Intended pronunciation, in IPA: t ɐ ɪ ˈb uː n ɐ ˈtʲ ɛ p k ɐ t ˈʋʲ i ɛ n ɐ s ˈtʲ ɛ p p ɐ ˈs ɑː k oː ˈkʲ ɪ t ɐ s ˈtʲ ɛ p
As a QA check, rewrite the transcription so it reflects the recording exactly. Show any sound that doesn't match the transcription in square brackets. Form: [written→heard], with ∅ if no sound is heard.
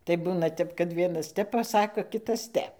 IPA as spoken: t ɐ ɪ ˈb uː n ɐ ˈtʲ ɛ p k ɐ t ˈʋʲ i ɛ n ɐ s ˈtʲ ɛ p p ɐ ˈs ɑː k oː ˈkʲ ɪ t ɐ s ˈtʲ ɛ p